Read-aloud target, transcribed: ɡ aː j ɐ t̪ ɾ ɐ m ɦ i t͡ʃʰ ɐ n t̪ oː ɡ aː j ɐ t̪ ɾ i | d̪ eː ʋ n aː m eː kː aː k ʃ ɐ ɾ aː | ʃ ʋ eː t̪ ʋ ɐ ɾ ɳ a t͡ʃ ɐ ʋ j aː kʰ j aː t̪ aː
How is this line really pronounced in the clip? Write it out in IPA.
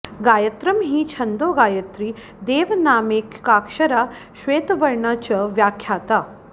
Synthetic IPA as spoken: ɡ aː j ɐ t̪ ɾ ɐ m ɦ i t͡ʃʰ ɐ n d̪ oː ɡ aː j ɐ t̪ ɾ i | d̪ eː ʋ n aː m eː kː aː k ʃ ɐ ɾ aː | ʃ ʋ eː t̪ ʋ ɐ ɾ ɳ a t͡ʃ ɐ ʋ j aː kʰ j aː t̪ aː